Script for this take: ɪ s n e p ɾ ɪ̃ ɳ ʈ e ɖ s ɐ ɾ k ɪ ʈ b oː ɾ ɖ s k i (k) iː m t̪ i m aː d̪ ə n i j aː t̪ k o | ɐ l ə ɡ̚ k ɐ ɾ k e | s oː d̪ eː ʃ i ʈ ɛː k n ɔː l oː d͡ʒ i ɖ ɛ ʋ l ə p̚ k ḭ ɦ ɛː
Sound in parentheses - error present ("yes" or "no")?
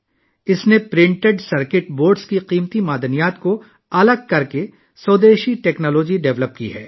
yes